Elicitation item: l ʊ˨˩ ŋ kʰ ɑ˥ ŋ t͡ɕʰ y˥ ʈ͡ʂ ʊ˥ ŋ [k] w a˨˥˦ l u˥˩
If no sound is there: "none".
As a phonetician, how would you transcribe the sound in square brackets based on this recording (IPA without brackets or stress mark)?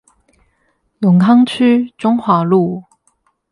x